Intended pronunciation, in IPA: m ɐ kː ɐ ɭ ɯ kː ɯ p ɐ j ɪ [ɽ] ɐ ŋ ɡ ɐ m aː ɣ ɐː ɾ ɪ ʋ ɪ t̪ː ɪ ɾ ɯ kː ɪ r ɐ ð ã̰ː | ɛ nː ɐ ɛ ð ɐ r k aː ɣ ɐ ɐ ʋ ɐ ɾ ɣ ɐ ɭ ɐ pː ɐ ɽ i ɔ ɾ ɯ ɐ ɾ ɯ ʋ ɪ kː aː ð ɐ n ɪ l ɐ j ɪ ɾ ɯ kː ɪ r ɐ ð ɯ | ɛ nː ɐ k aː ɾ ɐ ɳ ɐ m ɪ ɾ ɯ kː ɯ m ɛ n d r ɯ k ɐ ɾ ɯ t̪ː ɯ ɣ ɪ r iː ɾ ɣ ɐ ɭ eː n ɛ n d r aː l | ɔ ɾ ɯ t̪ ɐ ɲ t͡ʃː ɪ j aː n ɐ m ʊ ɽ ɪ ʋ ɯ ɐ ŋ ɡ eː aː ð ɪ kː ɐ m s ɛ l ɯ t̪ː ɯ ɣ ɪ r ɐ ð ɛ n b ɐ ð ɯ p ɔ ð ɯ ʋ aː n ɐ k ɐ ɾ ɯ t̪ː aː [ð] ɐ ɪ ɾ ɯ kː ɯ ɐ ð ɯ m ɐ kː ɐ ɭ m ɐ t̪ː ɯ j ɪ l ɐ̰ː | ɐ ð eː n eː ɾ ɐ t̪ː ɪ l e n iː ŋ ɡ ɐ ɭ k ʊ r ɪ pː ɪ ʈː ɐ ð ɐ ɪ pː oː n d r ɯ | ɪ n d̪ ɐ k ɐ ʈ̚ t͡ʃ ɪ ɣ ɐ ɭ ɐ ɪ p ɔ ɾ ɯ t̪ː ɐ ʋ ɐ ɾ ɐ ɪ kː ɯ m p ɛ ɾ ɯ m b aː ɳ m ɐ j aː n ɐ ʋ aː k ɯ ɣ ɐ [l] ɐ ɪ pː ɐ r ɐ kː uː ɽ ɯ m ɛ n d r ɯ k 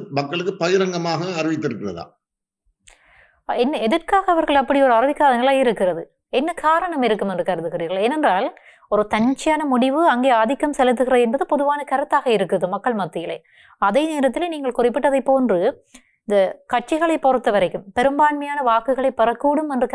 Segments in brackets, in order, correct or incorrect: incorrect: ɾ, incorrect: ɣ, incorrect: ɭ

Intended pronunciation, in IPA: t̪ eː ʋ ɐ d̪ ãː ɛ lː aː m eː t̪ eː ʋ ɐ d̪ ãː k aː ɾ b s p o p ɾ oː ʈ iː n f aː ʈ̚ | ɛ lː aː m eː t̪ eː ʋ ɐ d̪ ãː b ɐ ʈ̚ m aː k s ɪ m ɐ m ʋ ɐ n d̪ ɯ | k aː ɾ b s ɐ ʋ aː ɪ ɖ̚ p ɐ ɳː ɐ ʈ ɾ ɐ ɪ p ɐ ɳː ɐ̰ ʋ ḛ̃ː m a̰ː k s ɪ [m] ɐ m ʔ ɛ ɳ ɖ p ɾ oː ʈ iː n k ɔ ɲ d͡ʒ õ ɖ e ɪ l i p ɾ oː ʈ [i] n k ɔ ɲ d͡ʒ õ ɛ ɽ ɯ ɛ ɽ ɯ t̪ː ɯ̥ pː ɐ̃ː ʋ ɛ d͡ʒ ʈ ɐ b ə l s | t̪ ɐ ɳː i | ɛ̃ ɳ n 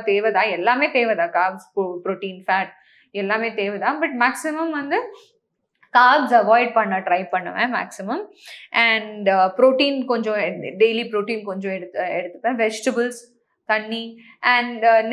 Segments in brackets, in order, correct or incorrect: correct, incorrect: iː

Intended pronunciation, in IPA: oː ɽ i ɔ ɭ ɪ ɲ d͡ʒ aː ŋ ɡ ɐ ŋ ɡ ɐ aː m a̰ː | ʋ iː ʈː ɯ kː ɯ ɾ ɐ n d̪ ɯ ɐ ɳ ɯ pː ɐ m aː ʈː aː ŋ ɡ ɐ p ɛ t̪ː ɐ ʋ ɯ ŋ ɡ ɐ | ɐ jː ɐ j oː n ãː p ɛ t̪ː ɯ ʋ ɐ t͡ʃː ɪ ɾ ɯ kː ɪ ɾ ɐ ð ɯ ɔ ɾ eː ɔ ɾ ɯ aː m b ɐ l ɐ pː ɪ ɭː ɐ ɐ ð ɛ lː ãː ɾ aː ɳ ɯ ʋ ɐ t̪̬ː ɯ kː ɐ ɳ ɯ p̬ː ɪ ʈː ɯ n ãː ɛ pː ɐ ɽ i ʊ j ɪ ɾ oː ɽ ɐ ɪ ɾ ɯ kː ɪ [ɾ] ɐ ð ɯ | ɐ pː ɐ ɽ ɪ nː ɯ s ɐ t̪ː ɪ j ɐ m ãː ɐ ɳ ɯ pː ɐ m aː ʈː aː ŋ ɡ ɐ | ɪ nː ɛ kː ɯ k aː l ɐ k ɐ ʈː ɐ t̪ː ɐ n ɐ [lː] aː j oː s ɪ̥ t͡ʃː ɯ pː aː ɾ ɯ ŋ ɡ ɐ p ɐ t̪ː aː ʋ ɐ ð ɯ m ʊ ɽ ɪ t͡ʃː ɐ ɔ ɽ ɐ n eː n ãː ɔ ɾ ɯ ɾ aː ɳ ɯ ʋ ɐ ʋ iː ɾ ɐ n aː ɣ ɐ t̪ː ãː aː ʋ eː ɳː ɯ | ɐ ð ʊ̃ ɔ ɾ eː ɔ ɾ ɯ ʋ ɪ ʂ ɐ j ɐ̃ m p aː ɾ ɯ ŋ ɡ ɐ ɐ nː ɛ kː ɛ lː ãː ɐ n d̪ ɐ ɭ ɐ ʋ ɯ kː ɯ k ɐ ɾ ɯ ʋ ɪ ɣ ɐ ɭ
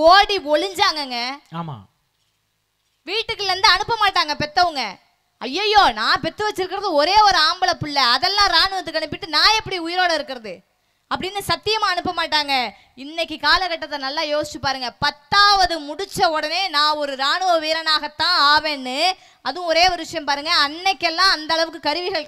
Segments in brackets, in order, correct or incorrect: correct, correct

